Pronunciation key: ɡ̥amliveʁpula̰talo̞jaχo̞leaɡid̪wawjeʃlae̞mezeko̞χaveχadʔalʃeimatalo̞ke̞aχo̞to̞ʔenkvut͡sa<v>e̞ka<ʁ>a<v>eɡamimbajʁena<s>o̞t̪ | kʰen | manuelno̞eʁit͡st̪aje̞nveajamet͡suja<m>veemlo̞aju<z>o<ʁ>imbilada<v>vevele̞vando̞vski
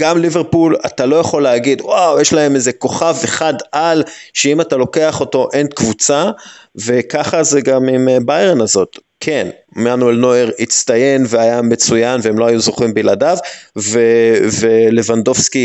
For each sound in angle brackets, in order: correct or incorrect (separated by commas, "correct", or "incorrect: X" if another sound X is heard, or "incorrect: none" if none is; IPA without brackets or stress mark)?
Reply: correct, incorrect: χ, incorrect: z, incorrect: z, incorrect: n, correct, incorrect: χ, correct